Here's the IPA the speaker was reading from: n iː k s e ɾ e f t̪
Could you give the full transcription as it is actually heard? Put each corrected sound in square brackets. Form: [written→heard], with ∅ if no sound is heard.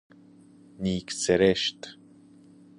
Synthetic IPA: n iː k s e ɾ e [f→ʃ] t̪